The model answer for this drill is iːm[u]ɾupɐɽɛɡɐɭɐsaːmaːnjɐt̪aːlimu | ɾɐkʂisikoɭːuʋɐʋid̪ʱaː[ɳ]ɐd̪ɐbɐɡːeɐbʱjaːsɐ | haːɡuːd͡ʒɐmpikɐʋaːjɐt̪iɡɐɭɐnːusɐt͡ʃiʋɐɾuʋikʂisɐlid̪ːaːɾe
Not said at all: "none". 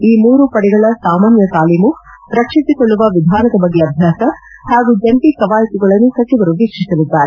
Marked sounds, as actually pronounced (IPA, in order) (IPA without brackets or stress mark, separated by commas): uː, n